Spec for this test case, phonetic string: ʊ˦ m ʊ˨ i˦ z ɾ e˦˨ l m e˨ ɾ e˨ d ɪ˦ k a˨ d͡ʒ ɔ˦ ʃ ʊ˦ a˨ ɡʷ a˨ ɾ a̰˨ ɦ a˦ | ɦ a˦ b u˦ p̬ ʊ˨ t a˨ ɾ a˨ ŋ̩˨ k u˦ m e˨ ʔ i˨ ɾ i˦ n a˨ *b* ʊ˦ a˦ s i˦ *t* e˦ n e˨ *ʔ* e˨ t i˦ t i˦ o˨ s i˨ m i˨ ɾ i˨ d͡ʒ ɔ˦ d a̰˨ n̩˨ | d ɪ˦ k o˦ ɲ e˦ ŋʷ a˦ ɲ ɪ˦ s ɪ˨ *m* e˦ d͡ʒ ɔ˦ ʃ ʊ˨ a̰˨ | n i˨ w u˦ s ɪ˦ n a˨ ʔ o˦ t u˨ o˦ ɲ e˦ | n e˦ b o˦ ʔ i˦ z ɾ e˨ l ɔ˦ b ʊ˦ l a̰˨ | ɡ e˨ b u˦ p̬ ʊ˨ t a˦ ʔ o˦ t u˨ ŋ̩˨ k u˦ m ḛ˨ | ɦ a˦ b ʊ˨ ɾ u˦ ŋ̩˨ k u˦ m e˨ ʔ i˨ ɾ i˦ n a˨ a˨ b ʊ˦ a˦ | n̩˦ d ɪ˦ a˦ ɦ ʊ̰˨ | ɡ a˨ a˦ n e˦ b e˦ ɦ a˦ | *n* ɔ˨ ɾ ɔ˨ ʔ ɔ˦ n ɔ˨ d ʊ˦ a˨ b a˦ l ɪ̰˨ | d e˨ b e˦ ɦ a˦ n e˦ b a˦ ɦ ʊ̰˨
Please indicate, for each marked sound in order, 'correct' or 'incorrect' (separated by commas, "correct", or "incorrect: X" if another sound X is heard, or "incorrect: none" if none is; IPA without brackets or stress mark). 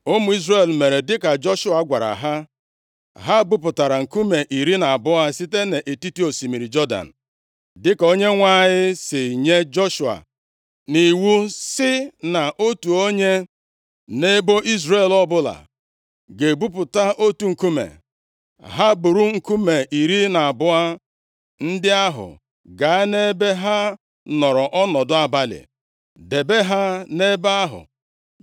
correct, correct, correct, incorrect: ɲ, correct